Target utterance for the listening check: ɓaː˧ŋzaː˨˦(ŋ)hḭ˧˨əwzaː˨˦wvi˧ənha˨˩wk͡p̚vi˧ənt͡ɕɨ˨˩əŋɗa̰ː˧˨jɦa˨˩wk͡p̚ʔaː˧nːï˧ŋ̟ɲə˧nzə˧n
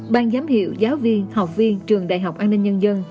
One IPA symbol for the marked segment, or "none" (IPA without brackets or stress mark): m